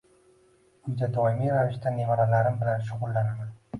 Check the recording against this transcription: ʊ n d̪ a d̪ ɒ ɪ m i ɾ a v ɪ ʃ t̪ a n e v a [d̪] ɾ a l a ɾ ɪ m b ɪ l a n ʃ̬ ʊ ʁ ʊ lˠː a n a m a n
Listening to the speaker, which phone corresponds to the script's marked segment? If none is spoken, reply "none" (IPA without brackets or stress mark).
none